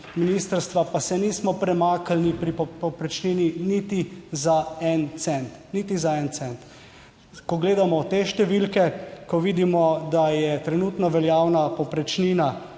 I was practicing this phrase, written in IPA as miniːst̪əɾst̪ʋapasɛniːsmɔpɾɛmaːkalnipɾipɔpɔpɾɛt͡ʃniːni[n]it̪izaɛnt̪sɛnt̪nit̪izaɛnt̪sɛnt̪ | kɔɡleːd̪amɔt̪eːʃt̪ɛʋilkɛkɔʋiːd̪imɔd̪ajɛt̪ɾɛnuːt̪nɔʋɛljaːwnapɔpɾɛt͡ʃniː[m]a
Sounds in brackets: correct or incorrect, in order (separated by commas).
correct, incorrect